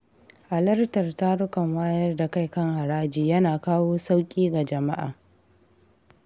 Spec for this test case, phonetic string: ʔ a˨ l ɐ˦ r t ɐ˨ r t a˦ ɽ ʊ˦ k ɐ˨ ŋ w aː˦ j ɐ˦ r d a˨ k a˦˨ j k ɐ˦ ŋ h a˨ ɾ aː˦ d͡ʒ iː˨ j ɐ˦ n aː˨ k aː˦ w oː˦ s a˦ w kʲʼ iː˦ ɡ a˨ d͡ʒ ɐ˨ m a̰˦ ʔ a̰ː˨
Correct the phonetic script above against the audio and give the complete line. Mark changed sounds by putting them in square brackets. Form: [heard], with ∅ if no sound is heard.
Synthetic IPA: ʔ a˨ l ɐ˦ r t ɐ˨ r t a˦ ɽ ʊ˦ k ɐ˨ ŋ w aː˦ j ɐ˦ r d a˨ k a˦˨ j k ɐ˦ ŋ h a˨ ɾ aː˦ d͡ʒ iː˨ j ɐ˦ n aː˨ k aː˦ w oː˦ s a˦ w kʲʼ iː˦ ɡ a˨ d͡ʒ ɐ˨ m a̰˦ ʔ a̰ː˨